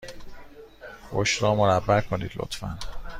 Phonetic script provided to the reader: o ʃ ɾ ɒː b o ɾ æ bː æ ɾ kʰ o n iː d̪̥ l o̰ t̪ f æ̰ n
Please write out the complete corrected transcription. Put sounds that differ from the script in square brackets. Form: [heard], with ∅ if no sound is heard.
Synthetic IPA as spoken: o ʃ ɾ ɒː [m] o ɾ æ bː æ ɾ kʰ o n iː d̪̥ l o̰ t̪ f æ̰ n